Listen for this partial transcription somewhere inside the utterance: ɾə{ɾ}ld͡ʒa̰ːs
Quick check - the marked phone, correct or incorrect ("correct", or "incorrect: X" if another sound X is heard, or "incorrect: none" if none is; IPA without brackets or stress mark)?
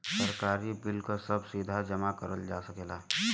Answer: incorrect: none